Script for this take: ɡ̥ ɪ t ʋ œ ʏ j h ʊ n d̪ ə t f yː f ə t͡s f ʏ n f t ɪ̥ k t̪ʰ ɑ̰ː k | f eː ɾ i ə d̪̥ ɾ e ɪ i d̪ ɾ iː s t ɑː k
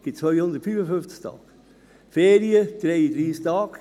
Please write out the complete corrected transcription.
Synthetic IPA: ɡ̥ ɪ t͡s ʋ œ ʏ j h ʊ n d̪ ə t f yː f ə f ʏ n f t͡s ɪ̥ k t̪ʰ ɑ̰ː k | f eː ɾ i ə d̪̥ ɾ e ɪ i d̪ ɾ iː s t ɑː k